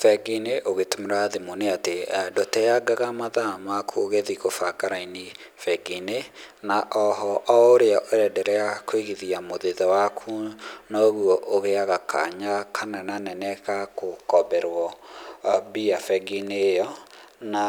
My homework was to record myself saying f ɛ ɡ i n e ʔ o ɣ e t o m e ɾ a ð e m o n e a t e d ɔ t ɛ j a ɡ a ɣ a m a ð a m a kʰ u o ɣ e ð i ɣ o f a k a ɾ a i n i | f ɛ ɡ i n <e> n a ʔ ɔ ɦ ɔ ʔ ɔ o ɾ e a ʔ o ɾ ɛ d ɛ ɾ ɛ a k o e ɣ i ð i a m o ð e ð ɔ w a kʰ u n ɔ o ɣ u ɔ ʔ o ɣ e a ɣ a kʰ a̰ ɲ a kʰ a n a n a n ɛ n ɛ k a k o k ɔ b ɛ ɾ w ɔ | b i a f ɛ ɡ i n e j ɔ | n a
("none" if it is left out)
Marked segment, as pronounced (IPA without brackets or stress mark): e